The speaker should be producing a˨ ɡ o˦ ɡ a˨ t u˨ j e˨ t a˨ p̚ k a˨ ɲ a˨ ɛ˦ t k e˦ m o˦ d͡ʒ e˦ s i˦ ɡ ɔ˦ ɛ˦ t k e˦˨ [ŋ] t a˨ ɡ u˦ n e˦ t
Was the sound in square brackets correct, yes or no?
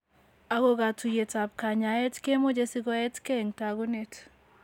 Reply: yes